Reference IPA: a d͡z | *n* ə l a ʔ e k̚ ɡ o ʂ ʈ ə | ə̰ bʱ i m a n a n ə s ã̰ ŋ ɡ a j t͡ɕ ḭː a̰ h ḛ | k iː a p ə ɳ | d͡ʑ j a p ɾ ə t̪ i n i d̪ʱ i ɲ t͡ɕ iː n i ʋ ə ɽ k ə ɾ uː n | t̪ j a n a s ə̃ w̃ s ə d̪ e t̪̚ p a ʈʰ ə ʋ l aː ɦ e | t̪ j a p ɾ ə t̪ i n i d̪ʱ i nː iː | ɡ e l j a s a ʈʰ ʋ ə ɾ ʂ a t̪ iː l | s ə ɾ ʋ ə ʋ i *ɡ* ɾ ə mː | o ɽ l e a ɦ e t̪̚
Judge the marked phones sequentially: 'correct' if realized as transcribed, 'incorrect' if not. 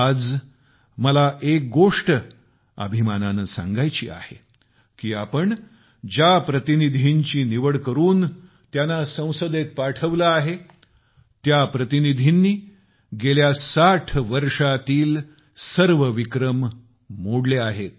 incorrect: m, incorrect: k

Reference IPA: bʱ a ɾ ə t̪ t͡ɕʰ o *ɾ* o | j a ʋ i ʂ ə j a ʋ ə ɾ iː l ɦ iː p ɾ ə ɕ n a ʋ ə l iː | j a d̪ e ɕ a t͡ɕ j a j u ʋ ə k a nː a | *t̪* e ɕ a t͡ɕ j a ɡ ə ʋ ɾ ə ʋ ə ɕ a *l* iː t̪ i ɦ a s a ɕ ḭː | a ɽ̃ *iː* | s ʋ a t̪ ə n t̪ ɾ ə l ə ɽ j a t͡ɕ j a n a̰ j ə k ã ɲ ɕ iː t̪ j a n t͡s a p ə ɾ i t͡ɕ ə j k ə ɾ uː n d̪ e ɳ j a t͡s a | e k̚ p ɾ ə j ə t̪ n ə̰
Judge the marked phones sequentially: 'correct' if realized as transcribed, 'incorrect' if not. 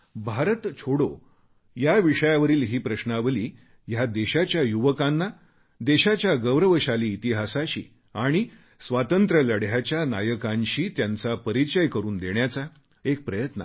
incorrect: ɽ, incorrect: d̪, correct, incorrect: i

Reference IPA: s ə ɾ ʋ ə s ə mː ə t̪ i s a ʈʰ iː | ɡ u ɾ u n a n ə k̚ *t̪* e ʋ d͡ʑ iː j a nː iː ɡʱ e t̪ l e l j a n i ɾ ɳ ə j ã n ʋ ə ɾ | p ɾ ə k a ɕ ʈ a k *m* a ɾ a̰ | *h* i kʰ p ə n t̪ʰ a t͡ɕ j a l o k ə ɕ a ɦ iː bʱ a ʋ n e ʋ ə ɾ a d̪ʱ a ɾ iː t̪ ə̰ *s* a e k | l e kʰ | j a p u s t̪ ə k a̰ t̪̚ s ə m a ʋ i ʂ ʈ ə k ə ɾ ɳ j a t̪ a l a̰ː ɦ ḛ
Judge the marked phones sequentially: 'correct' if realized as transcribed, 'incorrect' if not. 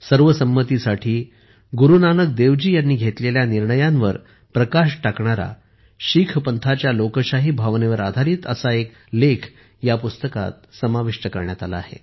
incorrect: d̪, incorrect: ɳ, incorrect: ɕ, correct

